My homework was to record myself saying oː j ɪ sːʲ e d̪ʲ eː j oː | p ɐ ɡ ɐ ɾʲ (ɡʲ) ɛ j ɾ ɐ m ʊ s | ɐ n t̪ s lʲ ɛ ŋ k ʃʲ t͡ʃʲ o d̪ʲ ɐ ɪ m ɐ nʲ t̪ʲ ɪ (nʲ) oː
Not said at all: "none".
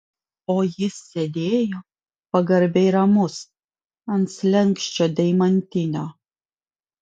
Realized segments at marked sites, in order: bʲ, nʲ

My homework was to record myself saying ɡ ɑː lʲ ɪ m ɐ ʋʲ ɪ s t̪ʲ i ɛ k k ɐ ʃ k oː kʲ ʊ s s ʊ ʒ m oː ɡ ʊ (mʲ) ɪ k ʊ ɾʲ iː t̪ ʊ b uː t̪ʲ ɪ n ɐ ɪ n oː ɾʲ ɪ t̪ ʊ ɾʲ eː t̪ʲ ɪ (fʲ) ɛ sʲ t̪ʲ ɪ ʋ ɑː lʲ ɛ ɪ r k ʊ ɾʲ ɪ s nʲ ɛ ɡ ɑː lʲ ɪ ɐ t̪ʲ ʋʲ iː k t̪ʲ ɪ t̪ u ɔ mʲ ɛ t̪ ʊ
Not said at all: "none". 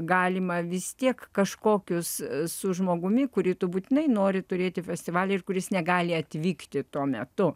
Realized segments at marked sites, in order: mʲ, fʲ

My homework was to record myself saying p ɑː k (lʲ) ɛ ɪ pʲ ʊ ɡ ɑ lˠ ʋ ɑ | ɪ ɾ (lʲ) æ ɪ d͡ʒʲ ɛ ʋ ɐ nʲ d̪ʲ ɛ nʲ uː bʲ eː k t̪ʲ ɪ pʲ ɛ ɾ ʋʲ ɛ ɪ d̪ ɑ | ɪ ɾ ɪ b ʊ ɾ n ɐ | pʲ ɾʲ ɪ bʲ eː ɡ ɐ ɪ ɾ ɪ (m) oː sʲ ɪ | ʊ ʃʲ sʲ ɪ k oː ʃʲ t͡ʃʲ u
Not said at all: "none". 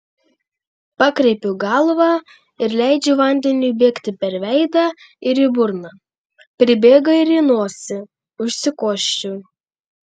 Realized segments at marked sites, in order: ɾʲ, lʲ, n

